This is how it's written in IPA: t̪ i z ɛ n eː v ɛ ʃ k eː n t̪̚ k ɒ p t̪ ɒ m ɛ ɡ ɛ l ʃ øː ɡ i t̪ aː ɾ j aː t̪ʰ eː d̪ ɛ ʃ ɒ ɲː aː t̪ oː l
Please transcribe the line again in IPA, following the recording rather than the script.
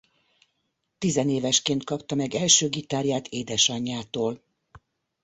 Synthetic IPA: t̪ i z ɛ n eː v ɛ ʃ k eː n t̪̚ k ɒ p t̪ ɒ m ɛ ɡ ɛ l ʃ øː ɡ i t̪ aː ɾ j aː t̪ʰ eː d̪ ɛ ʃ ɒ ɲː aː t̪ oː l